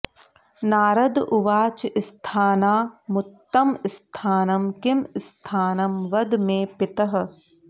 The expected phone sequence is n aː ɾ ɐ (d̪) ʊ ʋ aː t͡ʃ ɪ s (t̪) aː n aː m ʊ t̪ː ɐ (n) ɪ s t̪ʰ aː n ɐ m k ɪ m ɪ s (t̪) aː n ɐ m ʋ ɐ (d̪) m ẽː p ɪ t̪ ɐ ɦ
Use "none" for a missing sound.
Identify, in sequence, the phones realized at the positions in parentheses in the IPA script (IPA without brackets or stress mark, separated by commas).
d̪, t̪ʰ, m, t̪ʰ, d̪